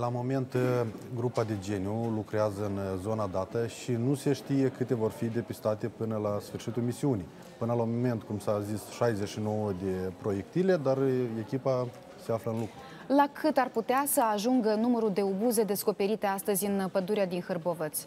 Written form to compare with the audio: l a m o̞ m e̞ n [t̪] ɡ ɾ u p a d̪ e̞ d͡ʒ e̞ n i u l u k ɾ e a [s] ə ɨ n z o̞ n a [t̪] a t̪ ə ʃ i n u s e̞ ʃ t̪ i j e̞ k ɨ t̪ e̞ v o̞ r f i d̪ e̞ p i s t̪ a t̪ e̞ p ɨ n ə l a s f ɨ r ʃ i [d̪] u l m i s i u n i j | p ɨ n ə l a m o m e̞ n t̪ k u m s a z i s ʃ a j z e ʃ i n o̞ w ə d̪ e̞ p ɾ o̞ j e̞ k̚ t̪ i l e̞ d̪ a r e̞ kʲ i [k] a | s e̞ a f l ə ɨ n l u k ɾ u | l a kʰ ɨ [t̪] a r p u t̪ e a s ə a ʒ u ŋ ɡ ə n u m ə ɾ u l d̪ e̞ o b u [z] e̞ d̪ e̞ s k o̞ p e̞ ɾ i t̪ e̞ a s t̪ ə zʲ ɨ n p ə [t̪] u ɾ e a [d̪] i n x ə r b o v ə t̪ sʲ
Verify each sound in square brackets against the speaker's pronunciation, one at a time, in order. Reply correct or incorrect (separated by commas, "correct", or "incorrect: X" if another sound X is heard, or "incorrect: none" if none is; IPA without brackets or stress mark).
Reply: correct, incorrect: z, incorrect: d̪, incorrect: t̪, incorrect: p, correct, correct, incorrect: d̪, correct